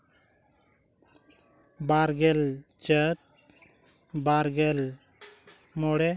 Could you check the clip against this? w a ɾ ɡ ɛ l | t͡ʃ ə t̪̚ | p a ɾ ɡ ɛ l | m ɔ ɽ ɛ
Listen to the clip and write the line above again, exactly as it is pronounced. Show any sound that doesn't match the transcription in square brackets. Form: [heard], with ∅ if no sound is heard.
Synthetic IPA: [b] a ɾ ɡ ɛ l | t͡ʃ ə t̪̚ | [b] a ɾ ɡ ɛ l | m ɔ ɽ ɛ